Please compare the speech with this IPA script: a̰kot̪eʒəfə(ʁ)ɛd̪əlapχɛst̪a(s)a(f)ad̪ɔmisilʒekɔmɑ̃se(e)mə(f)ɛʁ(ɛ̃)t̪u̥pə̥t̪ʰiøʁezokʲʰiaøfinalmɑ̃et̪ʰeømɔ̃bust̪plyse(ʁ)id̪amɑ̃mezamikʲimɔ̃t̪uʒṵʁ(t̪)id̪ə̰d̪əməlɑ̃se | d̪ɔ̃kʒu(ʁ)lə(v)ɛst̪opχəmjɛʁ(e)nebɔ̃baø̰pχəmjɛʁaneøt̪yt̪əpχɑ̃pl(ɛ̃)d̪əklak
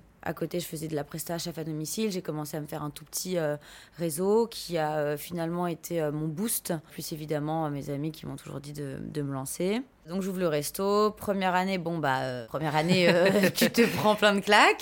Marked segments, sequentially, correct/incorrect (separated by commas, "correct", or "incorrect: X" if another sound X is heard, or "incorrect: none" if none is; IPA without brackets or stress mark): incorrect: z, incorrect: ʃ, correct, incorrect: a, correct, correct, incorrect: v, incorrect: d̪, incorrect: v, incorrect: ʁ, incorrect: a, correct